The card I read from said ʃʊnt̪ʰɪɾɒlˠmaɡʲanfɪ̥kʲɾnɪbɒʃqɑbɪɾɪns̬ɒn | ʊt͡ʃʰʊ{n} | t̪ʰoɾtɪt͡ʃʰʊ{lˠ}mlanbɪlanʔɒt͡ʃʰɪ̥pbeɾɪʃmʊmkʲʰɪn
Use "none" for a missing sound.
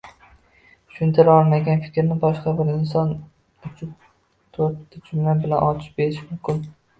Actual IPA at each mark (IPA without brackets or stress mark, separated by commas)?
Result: none, none